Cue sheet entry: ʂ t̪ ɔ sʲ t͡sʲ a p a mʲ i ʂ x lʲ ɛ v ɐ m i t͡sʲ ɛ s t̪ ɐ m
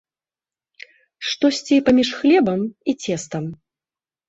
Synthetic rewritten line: ʂ t̪ ɔ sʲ t͡sʲ i p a mʲ i ʂ x lʲ ɛ b ɐ m i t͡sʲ ɛ s t̪ ɐ m